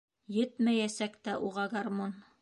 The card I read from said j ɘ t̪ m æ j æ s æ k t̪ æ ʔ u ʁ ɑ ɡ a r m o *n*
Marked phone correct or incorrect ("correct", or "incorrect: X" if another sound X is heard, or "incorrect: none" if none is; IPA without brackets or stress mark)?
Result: correct